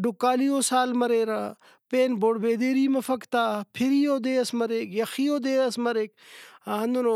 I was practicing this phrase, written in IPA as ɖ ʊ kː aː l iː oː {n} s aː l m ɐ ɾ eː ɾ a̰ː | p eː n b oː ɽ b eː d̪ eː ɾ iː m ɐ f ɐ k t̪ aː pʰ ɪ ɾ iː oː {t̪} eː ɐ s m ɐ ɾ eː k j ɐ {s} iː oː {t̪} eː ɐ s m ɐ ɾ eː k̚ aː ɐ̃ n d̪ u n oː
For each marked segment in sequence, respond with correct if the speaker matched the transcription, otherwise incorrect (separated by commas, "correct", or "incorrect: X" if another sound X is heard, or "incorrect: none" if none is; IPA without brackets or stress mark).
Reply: incorrect: none, incorrect: d̪, incorrect: x, incorrect: d̪